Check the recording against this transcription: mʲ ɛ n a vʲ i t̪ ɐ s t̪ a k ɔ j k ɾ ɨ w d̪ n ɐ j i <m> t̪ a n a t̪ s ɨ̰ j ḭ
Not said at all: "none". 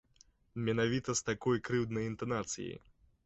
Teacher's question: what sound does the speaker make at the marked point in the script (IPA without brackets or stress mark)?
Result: n